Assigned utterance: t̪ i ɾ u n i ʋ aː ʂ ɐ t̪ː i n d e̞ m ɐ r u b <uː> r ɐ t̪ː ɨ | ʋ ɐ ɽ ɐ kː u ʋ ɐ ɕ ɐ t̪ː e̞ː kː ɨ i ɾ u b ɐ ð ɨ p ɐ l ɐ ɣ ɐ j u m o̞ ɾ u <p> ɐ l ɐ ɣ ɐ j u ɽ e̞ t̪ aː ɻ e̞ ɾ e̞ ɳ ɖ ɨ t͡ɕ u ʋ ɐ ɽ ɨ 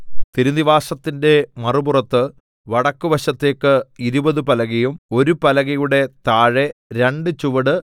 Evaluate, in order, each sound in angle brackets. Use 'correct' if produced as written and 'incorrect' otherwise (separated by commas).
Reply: incorrect, correct